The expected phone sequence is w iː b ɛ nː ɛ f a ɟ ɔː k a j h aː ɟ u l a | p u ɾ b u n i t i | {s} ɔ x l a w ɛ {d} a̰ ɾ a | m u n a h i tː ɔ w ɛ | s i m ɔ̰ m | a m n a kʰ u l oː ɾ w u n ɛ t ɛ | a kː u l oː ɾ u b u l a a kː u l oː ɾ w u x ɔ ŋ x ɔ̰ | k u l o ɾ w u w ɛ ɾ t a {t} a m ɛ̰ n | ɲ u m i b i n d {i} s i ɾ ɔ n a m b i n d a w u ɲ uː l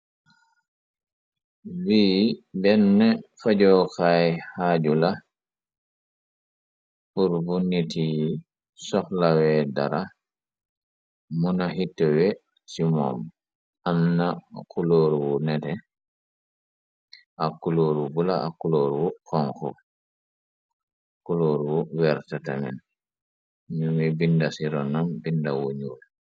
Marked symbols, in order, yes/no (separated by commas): yes, yes, yes, no